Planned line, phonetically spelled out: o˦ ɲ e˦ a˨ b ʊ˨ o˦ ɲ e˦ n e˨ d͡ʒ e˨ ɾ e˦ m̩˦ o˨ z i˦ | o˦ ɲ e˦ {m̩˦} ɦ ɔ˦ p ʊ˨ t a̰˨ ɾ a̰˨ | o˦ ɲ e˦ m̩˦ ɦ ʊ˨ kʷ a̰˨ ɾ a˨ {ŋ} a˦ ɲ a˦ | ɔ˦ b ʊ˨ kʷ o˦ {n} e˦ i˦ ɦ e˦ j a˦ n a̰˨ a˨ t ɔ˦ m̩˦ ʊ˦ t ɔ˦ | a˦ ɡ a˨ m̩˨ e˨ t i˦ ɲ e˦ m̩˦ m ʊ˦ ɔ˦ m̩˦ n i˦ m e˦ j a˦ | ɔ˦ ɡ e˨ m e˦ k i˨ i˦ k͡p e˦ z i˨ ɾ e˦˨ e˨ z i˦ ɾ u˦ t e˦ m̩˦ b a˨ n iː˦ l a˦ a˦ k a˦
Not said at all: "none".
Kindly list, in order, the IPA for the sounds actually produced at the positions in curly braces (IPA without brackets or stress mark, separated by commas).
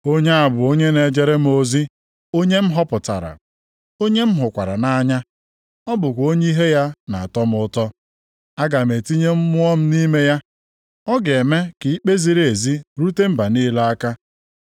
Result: m̩˦, n, ɲ